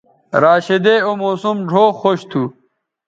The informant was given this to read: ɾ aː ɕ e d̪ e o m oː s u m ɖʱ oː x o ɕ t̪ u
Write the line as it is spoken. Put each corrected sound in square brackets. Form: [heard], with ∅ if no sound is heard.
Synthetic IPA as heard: ɾ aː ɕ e d̪ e o m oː s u m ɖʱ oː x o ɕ [t̪ʰ] u